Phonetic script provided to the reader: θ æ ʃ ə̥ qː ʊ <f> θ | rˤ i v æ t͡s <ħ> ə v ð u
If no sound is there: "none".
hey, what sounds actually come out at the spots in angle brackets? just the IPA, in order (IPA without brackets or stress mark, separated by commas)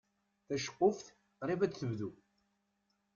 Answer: f, θ